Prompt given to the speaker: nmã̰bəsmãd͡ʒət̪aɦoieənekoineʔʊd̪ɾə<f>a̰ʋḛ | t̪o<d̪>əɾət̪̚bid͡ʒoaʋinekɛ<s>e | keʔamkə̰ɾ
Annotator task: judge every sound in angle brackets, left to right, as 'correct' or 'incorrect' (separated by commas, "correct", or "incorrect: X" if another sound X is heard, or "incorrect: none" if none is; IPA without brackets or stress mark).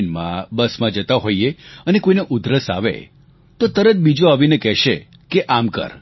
incorrect: s, incorrect: t̪, incorrect: ʃ